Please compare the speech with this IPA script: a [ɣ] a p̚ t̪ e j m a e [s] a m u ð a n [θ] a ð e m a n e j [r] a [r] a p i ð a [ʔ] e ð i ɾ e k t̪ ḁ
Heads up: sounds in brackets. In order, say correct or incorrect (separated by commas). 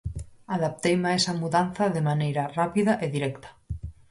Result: incorrect, correct, correct, incorrect, correct, correct